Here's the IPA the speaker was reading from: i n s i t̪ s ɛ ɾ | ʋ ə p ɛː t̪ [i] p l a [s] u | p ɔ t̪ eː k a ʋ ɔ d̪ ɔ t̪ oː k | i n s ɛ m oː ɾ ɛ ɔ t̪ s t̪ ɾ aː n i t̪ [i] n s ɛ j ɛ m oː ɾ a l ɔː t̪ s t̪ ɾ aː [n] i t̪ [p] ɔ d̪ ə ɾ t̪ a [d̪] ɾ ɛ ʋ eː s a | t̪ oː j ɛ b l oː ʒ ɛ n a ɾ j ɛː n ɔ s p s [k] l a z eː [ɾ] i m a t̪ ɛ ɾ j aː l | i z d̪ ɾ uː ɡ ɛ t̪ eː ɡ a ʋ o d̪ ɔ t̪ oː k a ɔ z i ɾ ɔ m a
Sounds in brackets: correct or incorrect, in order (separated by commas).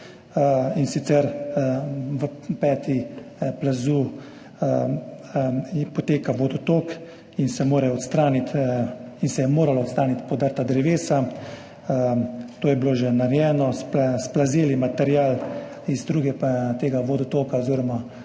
correct, incorrect, correct, correct, correct, correct, incorrect, incorrect